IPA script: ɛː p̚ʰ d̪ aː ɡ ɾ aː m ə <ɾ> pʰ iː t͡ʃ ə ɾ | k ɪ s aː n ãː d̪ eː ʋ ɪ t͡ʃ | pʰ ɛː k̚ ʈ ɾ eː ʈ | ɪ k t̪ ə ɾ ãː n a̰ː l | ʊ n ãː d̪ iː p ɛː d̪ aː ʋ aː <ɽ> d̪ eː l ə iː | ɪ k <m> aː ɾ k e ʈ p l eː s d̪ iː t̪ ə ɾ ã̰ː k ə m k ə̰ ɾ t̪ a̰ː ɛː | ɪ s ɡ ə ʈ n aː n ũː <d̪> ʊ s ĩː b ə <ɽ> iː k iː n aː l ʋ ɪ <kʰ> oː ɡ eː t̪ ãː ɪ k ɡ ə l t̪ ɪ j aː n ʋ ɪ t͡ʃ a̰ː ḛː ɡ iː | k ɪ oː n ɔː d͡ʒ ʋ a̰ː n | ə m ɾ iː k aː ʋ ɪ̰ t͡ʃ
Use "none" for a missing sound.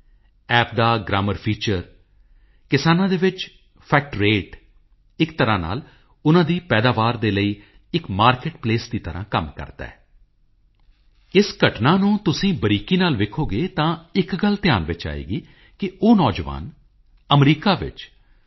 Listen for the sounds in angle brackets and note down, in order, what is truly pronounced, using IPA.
ɾ, ɾ, m, t̪, ɾ, kʰ

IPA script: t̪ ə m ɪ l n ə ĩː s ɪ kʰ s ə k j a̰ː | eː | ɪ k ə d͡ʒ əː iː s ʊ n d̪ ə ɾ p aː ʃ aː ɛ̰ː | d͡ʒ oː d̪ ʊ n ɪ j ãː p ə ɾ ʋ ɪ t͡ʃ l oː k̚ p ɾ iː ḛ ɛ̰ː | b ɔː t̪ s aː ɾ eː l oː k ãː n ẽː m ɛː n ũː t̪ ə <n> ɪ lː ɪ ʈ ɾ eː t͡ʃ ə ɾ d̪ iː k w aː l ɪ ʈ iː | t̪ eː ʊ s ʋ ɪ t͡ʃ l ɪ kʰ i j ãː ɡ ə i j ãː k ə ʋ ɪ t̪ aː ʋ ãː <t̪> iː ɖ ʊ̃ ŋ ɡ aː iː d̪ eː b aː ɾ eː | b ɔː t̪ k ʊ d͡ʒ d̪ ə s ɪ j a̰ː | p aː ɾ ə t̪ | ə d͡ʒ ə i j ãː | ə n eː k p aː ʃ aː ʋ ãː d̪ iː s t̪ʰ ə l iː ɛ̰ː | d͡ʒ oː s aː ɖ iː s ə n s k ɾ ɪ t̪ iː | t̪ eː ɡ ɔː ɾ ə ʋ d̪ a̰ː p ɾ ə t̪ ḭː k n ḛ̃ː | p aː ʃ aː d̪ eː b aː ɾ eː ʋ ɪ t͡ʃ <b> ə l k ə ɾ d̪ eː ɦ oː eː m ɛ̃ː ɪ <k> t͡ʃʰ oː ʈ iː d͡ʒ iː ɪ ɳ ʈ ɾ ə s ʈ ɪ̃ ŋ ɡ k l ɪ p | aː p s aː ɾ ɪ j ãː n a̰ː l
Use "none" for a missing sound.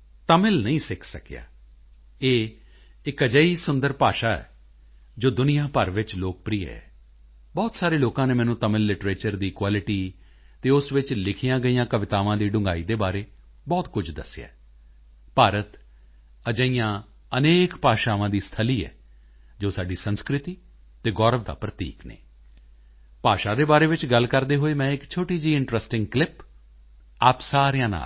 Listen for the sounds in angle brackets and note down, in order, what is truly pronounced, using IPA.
m, d̪, ɡ, k

